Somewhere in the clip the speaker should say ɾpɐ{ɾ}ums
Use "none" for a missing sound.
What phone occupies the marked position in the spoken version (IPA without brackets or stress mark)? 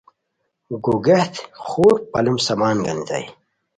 l